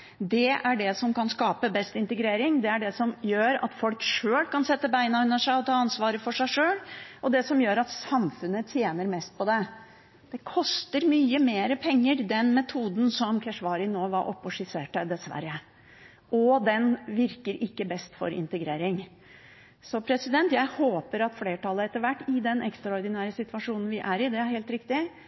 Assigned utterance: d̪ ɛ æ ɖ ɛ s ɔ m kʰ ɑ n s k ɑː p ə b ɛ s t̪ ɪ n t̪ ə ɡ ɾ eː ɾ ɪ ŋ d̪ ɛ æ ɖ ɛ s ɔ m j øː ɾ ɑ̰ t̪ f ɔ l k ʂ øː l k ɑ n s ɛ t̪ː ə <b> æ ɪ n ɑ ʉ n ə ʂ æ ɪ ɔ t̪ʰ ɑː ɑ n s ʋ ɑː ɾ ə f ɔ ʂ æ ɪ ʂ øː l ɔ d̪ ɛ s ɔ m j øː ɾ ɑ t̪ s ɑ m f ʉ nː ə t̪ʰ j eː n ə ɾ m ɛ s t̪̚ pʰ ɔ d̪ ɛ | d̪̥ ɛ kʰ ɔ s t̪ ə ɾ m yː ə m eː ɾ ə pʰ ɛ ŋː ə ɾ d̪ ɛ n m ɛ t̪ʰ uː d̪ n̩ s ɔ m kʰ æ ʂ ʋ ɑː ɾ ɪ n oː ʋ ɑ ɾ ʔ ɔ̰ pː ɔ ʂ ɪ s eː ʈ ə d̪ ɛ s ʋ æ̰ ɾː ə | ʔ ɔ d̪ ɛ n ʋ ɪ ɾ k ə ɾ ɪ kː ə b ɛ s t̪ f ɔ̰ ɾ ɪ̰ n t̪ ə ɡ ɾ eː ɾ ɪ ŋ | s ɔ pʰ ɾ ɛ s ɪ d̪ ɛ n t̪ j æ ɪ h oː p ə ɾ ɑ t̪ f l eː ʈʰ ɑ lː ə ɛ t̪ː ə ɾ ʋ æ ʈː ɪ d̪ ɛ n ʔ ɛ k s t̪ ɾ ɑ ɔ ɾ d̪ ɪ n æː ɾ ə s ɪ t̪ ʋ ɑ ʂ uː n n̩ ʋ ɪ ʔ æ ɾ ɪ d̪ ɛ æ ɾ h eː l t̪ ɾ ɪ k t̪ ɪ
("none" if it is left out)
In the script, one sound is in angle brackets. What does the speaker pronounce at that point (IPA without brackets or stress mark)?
b